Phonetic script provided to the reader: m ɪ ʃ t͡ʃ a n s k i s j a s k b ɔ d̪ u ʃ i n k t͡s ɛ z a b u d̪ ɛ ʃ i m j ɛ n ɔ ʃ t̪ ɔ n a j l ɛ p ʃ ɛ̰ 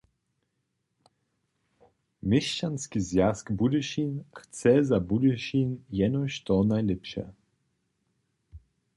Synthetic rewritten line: m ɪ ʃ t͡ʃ a n s k i z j a s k b u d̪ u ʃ i n x t͡s ɛ z a b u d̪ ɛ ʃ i n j ɛ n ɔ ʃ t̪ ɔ n a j l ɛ p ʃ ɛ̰